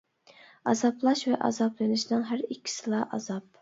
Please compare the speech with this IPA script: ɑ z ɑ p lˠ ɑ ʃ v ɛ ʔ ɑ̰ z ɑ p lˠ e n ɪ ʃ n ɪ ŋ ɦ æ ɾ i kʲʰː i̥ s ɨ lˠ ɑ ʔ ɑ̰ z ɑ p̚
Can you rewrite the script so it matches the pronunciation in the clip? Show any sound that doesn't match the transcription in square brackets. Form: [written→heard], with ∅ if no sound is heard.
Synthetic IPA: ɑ z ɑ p lˠ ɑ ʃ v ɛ ʔ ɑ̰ z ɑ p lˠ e n ɪ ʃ n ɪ ŋ ɦ æ ɾ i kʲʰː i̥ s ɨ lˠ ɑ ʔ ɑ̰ z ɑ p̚

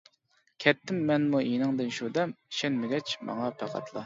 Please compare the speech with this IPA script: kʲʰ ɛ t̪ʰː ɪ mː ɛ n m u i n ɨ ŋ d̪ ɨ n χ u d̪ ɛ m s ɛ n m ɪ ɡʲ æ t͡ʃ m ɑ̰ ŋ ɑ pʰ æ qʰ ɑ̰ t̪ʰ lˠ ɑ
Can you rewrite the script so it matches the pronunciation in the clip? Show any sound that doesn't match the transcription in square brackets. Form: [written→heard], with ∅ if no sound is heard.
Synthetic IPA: kʲʰ ɛ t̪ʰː ɪ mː ɛ n m u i n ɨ ŋ d̪ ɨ n [χ→ʃ] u d̪ ɛ m [s→ʃ] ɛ n m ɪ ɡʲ [æ→ɛ] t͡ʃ m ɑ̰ ŋ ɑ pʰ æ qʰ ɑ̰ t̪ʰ lˠ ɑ

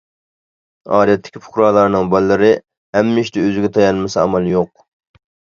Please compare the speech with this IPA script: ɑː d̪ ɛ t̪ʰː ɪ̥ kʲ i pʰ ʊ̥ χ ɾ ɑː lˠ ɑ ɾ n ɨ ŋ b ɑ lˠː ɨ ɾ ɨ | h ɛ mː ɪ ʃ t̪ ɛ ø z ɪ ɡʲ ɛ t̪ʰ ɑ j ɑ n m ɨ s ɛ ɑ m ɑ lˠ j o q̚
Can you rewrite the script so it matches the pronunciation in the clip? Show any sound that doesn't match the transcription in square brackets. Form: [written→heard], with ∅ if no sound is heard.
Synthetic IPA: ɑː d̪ ɛ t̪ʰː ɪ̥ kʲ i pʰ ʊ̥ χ ɾ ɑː lˠ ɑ ɾ n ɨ ŋ b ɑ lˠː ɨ ɾ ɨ | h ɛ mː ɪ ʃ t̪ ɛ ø z ɪ ɡʲ ɛ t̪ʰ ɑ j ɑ n m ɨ s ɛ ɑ m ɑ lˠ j o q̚

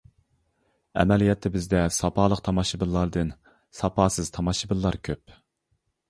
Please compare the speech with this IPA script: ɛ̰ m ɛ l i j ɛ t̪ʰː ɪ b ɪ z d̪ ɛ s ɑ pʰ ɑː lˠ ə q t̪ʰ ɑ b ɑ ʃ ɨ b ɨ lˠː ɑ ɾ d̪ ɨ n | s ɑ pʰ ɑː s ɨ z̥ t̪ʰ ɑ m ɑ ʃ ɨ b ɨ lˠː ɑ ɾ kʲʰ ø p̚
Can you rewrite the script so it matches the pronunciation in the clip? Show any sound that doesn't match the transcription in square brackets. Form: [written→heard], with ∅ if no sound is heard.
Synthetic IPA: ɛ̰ m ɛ l i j ɛ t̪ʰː ɪ b ɪ z d̪ ɛ s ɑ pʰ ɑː lˠ ə q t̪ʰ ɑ [b→m] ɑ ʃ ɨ b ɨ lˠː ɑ ɾ d̪ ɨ n | s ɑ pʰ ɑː s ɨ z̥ t̪ʰ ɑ m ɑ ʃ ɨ b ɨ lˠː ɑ ɾ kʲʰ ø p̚

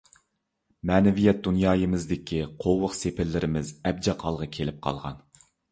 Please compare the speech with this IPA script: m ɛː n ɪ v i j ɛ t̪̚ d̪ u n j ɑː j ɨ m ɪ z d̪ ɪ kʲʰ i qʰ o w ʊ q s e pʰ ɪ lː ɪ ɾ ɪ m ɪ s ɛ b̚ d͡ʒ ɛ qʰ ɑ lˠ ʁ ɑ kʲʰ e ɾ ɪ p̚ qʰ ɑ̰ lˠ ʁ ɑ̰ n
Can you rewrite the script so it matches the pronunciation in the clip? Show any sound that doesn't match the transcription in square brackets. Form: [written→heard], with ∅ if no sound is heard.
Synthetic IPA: m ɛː n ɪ v i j ɛ t̪̚ d̪ u n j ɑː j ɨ m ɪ z d̪ ɪ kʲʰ i qʰ o w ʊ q s e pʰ ɪ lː ɪ ɾ ɪ m ɪ [s→z] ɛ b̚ d͡ʒ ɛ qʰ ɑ lˠ ʁ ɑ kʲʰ e [ɾ→l] ɪ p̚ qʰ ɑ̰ lˠ ʁ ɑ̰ n

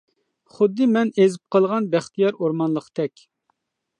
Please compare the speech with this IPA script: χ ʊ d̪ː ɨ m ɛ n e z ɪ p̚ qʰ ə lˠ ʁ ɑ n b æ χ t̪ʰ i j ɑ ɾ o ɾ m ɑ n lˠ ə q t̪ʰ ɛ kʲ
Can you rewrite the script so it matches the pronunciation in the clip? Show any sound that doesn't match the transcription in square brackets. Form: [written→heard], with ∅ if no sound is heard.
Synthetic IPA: χ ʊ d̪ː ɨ m ɛ n e z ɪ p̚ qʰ ə lˠ ʁ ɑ n b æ χ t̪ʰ i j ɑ ɾ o ɾ m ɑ n lˠ ə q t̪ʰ ɛ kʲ

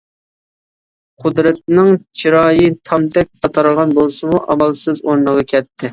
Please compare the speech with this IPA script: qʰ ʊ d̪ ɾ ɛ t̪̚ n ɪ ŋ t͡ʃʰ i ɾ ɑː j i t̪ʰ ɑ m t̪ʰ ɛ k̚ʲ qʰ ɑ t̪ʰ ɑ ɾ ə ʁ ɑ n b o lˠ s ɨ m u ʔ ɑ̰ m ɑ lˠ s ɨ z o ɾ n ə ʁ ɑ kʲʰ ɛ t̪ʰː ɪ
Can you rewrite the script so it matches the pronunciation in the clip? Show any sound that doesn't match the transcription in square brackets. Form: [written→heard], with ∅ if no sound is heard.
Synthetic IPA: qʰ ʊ d̪ ɾ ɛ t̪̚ n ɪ ŋ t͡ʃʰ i ɾ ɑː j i t̪ʰ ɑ m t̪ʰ ɛ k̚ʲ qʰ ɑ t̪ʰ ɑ ɾ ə ʁ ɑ n b o lˠ s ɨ m u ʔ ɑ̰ m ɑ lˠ s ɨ z o ɾ n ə ʁ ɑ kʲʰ ɛ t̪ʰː ɪ

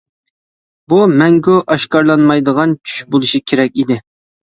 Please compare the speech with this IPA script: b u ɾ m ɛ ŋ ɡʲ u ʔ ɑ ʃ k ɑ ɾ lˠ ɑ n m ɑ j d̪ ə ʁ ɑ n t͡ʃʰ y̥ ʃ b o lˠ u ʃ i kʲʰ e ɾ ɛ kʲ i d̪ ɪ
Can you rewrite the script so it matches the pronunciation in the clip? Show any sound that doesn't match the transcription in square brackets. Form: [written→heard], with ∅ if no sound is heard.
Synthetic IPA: b u [ɾ→∅] m ɛ ŋ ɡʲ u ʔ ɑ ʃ k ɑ ɾ lˠ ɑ n m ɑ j d̪ ə ʁ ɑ n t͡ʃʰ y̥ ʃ b o lˠ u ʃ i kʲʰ e ɾ ɛ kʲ i d̪ ɪ

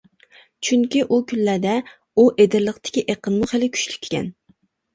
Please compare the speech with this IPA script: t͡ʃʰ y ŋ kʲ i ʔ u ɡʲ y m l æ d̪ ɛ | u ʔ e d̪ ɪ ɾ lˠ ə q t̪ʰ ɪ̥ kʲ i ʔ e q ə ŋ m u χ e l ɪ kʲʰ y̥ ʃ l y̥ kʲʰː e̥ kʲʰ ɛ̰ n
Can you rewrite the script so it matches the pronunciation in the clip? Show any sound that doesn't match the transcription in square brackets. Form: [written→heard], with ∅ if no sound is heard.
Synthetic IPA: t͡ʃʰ y ŋ kʲ i ʔ u [ɡʲ→kʲ] y [m→n] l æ d̪ ɛ | u ʔ e d̪ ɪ ɾ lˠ ə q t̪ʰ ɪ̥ kʲ i ʔ e q ə [ŋ→n] m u χ e l ɪ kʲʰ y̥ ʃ l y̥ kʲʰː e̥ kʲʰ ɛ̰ n

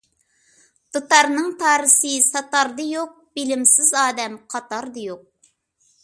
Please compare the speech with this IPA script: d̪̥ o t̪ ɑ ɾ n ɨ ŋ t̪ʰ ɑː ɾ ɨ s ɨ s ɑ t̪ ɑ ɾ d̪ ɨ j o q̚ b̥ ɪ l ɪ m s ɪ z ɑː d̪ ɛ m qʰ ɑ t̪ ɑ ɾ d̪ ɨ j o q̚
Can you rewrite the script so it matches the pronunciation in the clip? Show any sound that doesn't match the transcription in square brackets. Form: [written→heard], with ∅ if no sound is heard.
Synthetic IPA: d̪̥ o t̪ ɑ ɾ n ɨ ŋ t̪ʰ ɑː ɾ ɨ s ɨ s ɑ t̪ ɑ ɾ d̪ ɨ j o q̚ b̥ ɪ l ɪ m s ɪ z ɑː d̪ ɛ m qʰ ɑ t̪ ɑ ɾ d̪ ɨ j o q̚

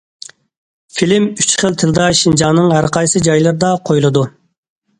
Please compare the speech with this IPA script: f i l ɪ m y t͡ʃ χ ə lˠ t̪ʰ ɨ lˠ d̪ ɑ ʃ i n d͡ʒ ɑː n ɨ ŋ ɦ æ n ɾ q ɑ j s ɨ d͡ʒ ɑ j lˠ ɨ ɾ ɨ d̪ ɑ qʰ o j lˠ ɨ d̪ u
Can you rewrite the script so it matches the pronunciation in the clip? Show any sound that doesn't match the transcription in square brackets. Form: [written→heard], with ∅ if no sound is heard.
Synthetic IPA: f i l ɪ m y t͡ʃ χ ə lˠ t̪ʰ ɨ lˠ d̪ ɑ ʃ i n d͡ʒ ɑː n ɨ ŋ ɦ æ [n→∅] ɾ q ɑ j s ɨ d͡ʒ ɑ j lˠ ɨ ɾ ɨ d̪ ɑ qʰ o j lˠ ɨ d̪ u

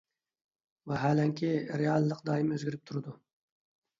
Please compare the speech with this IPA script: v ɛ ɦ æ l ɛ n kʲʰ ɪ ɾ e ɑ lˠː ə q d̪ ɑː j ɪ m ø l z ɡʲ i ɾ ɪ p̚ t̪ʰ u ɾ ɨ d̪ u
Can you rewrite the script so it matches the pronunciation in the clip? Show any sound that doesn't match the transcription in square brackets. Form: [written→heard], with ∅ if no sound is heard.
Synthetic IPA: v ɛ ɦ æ l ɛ [n→ŋ] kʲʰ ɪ ɾ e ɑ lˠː ə q d̪ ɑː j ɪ m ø [l→∅] z ɡʲ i ɾ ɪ p̚ t̪ʰ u ɾ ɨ d̪ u

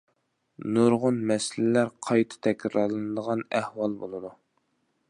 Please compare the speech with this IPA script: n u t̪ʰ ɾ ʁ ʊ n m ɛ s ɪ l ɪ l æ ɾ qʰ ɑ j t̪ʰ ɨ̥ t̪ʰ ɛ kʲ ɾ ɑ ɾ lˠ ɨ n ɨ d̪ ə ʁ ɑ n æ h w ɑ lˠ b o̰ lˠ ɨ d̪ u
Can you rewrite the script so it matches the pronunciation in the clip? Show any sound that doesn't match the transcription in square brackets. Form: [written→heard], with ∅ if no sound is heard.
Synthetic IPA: n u [t̪ʰ→∅] ɾ ʁ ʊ n m ɛ s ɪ l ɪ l æ ɾ qʰ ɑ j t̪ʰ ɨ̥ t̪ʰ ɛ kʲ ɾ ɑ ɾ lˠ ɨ n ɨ d̪ ə ʁ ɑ n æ h w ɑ lˠ b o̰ lˠ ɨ d̪ u

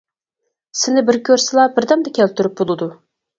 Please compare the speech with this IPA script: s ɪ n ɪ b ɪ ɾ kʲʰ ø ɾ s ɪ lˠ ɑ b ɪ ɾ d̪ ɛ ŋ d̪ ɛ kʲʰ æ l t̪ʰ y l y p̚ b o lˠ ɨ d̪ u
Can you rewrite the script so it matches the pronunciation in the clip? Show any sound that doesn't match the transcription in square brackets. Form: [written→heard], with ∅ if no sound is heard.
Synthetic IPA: s ɪ n ɪ b ɪ ɾ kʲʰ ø ɾ s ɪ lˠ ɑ b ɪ ɾ d̪ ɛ [ŋ→m] d̪ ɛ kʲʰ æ l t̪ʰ y [l→ɾ] y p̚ b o lˠ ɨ d̪ u

